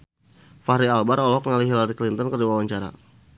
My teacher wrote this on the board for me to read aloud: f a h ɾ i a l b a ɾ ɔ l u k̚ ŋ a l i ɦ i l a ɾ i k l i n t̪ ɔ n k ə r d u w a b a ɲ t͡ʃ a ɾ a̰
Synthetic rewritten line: f a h ɾ i a l b a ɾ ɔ l ɔ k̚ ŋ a l i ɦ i l a ɾ i k l i n t̪ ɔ n k ə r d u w a w a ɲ t͡ʃ a ɾ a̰